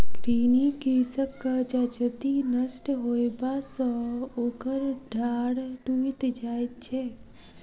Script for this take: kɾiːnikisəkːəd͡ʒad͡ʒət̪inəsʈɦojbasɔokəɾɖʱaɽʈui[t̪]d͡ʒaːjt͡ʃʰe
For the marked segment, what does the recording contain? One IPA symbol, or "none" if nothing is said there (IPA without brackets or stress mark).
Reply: t̪